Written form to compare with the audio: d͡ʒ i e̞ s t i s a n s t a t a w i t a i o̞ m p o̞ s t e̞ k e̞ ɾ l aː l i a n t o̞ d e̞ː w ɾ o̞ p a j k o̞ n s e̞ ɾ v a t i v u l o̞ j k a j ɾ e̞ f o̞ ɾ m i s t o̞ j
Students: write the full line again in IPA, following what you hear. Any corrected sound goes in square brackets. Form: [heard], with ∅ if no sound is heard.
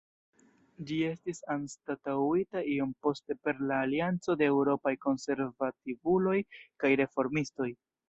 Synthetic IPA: d͡ʒ i e̞ s t i s a n s t a t a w i t a i o̞ m p o̞ s t e̞ [p] e̞ ɾ l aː l i a n [t͡s] o̞ d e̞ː w ɾ o̞ p a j k o̞ n s e̞ ɾ v a t i v u l o̞ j k a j ɾ e̞ f o̞ ɾ m i s t o̞ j